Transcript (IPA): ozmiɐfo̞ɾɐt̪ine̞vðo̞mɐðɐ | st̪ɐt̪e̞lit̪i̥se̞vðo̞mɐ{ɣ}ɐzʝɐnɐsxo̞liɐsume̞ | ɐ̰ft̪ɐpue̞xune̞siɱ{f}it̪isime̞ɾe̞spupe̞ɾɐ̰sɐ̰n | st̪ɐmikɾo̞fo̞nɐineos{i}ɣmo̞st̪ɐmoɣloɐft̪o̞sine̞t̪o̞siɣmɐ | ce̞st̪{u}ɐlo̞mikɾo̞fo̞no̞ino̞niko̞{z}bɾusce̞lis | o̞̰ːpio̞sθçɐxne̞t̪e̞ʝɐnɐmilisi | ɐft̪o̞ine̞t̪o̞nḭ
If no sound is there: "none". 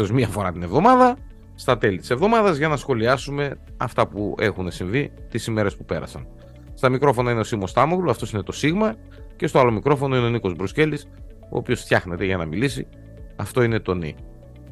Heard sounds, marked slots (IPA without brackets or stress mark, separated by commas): ð, v, i, o, z